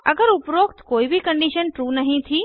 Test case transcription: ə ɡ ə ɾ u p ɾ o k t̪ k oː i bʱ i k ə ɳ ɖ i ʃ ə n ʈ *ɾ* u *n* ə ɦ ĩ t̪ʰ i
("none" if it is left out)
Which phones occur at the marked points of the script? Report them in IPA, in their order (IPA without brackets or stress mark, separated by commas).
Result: ɾ, n